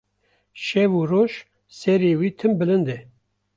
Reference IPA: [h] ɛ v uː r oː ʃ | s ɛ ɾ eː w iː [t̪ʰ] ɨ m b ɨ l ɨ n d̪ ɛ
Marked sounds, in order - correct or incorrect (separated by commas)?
incorrect, correct